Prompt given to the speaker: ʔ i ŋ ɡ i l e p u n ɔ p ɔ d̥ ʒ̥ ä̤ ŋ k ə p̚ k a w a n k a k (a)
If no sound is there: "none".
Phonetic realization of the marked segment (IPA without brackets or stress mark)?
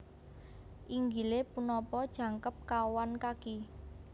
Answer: i